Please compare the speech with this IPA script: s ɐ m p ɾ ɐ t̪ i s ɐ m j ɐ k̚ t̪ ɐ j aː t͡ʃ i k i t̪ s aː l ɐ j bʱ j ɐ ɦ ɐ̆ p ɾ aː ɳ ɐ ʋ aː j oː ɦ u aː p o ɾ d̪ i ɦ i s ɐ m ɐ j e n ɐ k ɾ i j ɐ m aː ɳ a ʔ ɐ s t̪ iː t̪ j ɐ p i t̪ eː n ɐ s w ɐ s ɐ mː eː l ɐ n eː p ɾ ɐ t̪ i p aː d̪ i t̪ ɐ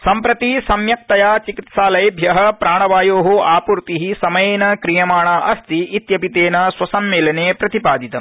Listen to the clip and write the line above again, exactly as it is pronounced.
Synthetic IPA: s ɐ m p ɾ ɐ t̪ i s ɐ m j ɐ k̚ t̪ ɐ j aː t͡ʃ i k i t̪ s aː l ɐ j bʱ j ɐ ɦ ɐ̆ p ɾ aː ɳ ɐ ʋ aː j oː ɦ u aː p u ɾ t̪ i ɦ i s ɐ m ɐ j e n ɐ k ɾ i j ɐ m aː ɳ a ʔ ɐ s t̪ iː t̪ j ɐ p i t̪ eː n ɐ s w ɐ s ɐ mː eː l ɐ n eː p ɾ ɐ t̪ i p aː d̪ i t̪ ɐ

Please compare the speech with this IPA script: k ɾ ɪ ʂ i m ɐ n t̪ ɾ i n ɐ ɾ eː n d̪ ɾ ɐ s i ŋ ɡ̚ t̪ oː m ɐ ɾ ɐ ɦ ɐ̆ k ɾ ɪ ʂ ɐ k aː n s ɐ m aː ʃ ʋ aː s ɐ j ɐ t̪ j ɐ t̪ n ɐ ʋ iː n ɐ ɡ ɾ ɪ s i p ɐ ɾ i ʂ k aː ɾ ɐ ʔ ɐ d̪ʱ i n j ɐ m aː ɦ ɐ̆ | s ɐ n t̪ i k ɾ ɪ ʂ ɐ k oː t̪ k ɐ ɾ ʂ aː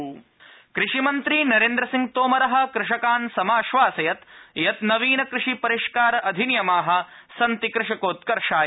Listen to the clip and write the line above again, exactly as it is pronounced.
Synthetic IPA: k ɾ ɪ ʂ i m ɐ n t̪ ɾ i n ɐ ɾ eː n d̪ ɾ ɐ s i ŋ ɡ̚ t̪ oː m ɐ ɾ ɐ ɦ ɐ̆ k ɾ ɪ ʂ ɐ k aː n s ɐ m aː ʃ ʋ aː s ɐ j ɐ t̪ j ɐ t̪ n ɐ ʋ iː n ɐ k ɾ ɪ ʂ i p ɐ ɾ i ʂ k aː ɾ ɐ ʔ ɐ d̪ʱ i n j ɐ m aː ɦ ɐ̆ | s ɐ n t̪ i k ɾ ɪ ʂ ɐ k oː t̪ k ɐ ɾ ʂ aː

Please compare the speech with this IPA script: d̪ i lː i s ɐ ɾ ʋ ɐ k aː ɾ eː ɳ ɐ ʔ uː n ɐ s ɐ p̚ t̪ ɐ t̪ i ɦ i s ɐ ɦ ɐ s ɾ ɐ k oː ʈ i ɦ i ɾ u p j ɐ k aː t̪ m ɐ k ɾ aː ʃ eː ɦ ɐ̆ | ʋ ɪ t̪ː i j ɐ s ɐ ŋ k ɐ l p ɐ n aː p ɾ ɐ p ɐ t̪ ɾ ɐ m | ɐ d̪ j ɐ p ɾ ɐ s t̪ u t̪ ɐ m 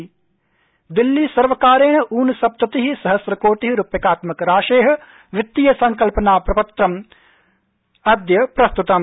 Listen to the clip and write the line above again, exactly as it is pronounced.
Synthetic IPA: d̪ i lː i s ɐ ɾ ʋ ɐ k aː ɾ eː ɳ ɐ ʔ uː n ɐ s ɐ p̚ t̪ ɐ t̪ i ɦ i s ɐ ɦ ɐ s ɾ ɐ k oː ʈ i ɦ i ɾ u p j ɐ k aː t̪ m ɐ k ɾ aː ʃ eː ɦ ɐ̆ | ʋ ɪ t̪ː i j ɐ s ɐ ŋ k ɐ l p ɐ n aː p ɾ ɐ p ɐ t̪ ɾ ɐ m | ɐ d̪ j ɐ p ɾ ɐ s t̪ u t̪ ɐ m

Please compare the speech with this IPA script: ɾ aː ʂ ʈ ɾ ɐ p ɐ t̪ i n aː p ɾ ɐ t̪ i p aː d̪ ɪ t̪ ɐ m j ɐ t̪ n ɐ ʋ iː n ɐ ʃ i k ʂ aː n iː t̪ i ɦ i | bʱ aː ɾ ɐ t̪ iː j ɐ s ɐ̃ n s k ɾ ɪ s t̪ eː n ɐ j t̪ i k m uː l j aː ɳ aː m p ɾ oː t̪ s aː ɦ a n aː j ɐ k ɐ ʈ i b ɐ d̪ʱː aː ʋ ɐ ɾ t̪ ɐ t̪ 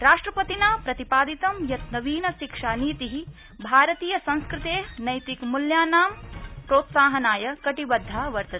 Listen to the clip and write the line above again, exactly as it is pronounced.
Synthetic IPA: ɾ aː ʂ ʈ ɾ ɐ p ɐ t̪ i n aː p ɾ ɐ t̪ i p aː d̪ i t̪ ɐ m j ɐ t̪ n ɐ ʋ iː n ɐ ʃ i k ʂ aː n iː t̪ i ɦ i | bʱ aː ɾ ɐ t̪ iː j ɐ s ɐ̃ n s k ɾ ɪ t̪ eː n ɐ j t̪ i k m u l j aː n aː m p ɾ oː t̪ s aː ɦ ɐ n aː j ɐ k ɐ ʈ i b ɐ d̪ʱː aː ʋ ɐ ɾ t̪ ɐ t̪

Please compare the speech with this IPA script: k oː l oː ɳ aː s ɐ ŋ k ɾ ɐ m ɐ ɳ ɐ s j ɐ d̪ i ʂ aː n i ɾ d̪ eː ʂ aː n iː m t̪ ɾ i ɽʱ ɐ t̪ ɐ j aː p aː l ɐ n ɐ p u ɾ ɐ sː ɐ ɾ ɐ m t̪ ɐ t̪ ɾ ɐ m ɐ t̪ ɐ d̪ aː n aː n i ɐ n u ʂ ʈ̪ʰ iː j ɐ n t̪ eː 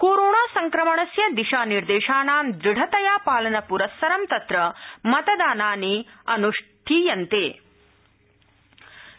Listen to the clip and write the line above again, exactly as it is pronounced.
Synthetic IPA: k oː ɾ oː ɳ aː s ɐ ŋ k ɾ ɐ m ɐ ɳ ɐ s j ɐ d̪ i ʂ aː n i ɾ d̪ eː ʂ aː n aː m d̪ ɾ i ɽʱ ɐ t̪ ɐ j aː p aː l ɐ n ɐ p u ɾ ɐ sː ɐ ɾ ɐ m t̪ ɐ t̪ ɾ ɐ m ɐ t̪ ɐ d̪ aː n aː n i ɐ n u ʂ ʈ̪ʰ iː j ɐ n t̪ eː

